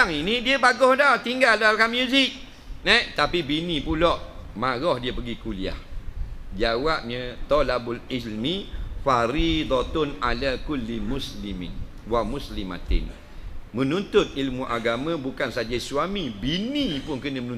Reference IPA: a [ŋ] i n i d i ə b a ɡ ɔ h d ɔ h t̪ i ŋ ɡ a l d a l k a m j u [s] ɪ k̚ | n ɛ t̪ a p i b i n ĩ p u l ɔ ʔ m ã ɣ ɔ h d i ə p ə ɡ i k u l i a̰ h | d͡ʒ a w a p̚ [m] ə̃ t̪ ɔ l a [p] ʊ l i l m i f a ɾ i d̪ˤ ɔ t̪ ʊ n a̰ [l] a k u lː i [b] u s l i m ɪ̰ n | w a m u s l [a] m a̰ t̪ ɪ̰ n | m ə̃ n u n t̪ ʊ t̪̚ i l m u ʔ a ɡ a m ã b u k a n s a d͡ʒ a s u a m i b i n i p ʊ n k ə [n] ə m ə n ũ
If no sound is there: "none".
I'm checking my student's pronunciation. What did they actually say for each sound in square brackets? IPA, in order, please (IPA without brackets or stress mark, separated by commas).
ŋ, z, ɲ, b, l, m, i, n